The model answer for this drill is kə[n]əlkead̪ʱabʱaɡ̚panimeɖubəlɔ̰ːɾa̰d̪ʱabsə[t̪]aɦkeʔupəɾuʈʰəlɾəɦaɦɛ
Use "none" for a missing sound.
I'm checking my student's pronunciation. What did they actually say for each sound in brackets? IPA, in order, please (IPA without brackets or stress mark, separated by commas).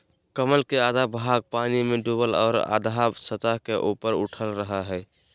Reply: m, t̪